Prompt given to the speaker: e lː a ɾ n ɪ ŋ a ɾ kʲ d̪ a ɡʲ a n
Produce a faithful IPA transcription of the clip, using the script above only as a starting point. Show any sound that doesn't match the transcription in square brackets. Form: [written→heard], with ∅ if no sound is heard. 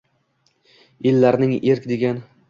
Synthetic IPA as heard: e lː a ɾ n ɪ ŋ [a→e] ɾ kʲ d̪ [a→e] ɡʲ a n

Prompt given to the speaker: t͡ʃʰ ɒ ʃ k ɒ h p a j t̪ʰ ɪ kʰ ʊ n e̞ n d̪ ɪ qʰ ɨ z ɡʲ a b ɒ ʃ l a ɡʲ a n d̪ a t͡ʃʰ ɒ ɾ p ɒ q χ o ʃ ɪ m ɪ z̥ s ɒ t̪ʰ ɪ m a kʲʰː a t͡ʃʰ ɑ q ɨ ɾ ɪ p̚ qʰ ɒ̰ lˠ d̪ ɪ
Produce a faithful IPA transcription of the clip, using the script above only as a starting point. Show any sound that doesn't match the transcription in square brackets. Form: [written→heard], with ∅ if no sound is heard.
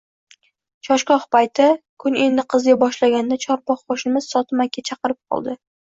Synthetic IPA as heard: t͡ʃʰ ɒ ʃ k ɒ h p a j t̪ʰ ɪ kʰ ʊ n e̞ n d̪ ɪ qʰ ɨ z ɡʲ a b ɒ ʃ l a ɡʲ a n d̪ a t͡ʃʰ ɒ ɾ p ɒ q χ o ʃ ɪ m ɪ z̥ s ɒ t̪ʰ ɪ m a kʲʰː a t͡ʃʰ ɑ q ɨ ɾ ɪ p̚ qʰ ɒ̰ lˠ d̪ ɪ

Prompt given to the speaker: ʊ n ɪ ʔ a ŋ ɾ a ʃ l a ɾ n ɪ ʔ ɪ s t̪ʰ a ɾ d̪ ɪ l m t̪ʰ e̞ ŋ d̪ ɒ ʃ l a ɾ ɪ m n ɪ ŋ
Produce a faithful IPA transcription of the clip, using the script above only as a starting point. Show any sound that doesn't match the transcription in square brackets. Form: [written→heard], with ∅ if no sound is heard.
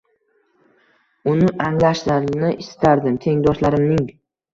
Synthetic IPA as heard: ʊ n ɪ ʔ a ŋ [ɾ→l] a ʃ l a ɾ n ɪ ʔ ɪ s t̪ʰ a ɾ d̪ ɪ [l→∅] m t̪ʰ e̞ ŋ d̪ ɒ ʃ l a ɾ ɪ m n ɪ ŋ

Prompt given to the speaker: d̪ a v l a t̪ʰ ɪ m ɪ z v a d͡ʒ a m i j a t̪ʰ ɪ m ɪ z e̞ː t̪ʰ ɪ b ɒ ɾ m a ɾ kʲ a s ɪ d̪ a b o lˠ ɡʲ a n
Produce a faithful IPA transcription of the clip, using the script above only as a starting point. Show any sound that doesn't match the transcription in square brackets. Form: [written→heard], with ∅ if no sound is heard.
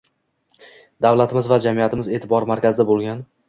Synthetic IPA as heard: d̪ a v l a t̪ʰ ɪ m ɪ z v a d͡ʒ a m i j a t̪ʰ ɪ m ɪ z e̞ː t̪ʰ ɪ b ɒ ɾ m a ɾ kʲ a [s→z] ɪ d̪ a b o lˠ ɡʲ a n

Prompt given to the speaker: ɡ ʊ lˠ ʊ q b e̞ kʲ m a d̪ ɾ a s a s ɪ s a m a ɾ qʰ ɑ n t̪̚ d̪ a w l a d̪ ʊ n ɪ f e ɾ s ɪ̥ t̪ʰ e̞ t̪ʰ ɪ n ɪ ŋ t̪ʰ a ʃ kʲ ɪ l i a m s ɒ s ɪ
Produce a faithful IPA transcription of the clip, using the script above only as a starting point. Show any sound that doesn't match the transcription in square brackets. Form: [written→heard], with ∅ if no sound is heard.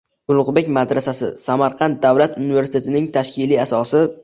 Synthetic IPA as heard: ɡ ʊ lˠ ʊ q b e̞ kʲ m a d̪ ɾ a s a s ɪ s a m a ɾ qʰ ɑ n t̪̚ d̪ a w l a [d̪→t̪] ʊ n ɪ [f→v] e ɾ s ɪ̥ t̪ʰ e̞ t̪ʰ ɪ n ɪ ŋ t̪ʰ a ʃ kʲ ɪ l i a [m→∅] s ɒ s ɪ

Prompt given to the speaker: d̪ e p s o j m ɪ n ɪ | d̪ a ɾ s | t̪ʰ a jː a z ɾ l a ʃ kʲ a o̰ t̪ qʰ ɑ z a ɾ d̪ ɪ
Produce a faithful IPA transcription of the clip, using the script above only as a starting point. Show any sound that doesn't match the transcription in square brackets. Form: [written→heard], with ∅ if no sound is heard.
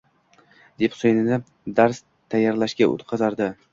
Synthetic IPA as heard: d̪ e p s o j [m→n] ɪ n ɪ | d̪ a ɾ s | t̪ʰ a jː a [z→∅] ɾ l a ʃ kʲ a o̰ t̪ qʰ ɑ z a ɾ d̪ ɪ

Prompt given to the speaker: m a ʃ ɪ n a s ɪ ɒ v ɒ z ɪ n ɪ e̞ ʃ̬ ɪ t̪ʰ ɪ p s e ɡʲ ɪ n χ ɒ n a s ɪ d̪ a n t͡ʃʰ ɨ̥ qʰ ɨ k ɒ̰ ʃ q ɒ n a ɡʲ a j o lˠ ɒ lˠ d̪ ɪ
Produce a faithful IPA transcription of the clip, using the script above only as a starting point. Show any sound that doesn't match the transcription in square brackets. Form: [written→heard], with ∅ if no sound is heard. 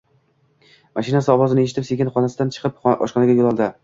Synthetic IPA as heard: m a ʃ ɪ n a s ɪ ɒ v ɒ z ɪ n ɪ e̞ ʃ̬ ɪ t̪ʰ ɪ p s e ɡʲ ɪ n χ ɒ n a s ɪ d̪ a n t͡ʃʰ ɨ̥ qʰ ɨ [k→p] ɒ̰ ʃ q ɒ n a ɡʲ a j o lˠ ɒ lˠ d̪ ɪ

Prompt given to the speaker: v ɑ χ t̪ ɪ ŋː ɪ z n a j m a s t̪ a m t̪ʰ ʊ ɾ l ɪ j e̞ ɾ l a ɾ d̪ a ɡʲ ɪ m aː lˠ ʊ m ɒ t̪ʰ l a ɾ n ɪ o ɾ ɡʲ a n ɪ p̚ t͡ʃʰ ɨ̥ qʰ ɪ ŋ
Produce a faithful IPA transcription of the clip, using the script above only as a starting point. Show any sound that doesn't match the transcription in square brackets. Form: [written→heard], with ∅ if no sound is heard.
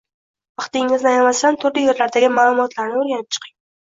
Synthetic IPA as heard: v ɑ χ t̪ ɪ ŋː ɪ z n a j m a s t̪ a [m→n] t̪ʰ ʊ ɾ l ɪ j e̞ ɾ l a ɾ d̪ a ɡʲ ɪ m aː lˠ ʊ m ɒ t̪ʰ l a ɾ n ɪ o ɾ ɡʲ a n ɪ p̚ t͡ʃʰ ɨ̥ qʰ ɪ ŋ

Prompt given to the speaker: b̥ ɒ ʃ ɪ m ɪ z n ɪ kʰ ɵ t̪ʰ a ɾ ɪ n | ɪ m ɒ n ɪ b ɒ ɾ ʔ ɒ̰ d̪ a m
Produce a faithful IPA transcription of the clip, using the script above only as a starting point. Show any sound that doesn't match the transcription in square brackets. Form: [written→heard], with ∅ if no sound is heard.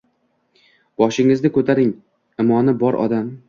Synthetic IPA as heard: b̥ ɒ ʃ ɪ [m→ŋ] ɪ z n ɪ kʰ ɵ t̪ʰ a ɾ ɪ [n→ŋ] | ɪ m ɒ n ɪ b ɒ ɾ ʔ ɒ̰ d̪ a m

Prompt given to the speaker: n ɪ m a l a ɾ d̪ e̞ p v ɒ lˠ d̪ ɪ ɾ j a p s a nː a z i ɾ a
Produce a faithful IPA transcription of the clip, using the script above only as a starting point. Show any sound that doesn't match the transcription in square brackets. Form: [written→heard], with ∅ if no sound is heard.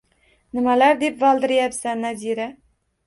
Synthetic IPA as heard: n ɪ m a l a ɾ d̪ e̞ p v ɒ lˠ d̪ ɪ ɾ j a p s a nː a z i ɾ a

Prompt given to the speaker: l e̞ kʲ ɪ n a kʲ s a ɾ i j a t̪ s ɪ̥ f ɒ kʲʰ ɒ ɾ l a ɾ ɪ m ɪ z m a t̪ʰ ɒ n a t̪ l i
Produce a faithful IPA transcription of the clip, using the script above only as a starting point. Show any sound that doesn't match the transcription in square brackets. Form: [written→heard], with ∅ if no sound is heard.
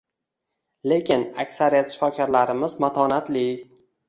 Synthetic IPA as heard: l e̞ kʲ ɪ n a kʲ s a ɾ i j a t̪ [s→ʃ] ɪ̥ f ɒ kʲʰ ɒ ɾ l a ɾ ɪ m ɪ z m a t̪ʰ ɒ n a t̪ l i

